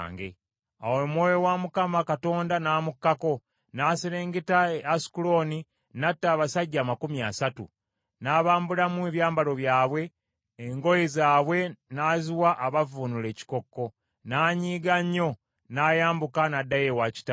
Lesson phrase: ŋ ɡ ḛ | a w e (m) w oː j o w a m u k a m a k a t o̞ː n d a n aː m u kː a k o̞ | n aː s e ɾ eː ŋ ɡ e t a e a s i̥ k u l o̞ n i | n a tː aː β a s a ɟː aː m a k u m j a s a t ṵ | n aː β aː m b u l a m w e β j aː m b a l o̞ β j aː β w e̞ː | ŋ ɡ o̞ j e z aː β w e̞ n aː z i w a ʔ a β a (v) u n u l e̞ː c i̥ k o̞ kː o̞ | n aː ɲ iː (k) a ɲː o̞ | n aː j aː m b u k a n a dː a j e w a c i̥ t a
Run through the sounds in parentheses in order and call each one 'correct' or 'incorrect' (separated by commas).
correct, correct, incorrect